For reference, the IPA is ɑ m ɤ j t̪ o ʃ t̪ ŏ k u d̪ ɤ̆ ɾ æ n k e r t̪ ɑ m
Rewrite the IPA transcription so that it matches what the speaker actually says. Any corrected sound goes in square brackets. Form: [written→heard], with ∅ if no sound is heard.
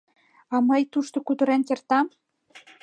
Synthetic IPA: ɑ m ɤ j t̪ [o→u] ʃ t̪ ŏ k u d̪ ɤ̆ ɾ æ n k e r t̪ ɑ m